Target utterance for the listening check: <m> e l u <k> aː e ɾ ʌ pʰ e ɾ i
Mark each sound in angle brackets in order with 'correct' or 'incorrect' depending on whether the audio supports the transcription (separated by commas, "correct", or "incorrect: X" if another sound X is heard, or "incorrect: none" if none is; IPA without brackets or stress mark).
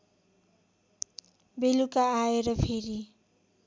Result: incorrect: b, correct